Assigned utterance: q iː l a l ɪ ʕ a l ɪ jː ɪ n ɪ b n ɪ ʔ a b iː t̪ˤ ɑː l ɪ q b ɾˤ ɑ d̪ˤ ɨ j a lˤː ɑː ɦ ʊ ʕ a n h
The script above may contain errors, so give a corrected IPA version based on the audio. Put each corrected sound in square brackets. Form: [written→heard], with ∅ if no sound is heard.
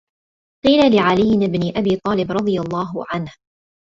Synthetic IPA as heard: q iː l a l ɪ ʕ a l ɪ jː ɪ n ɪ b n ɪ ʔ a b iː t̪ˤ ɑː l ɪ [q→∅] b ɾˤ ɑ d̪ˤ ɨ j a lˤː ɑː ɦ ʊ ʕ a n h